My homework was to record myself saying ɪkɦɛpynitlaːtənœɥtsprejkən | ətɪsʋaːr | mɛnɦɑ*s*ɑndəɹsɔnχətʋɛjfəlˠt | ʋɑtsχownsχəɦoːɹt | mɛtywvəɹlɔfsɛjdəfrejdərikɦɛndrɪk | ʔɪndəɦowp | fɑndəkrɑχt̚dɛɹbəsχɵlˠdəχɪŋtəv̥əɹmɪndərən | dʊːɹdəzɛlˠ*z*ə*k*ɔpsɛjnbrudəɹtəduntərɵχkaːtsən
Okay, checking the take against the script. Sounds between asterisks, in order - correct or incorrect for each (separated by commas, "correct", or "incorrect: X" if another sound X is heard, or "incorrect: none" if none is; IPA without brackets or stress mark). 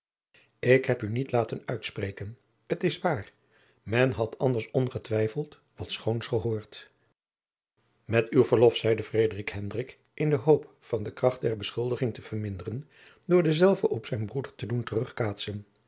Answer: incorrect: t, incorrect: v, incorrect: ʔ